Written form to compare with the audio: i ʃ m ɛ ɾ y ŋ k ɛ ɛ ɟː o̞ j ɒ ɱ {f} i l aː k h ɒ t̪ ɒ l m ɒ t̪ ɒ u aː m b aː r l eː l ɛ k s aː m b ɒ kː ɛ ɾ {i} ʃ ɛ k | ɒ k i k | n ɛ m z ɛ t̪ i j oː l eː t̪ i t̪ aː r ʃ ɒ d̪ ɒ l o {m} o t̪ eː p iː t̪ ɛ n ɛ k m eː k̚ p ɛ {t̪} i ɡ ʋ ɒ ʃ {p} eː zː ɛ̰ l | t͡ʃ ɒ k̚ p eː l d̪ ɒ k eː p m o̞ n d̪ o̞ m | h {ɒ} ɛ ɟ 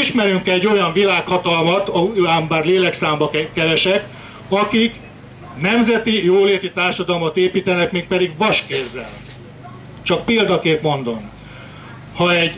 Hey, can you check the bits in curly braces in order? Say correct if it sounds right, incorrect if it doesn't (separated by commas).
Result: incorrect, incorrect, correct, incorrect, incorrect, correct